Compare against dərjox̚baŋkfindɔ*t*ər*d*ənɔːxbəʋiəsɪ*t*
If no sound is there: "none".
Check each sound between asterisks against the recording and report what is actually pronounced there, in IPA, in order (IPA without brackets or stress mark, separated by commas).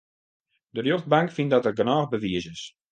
t, ɡ, s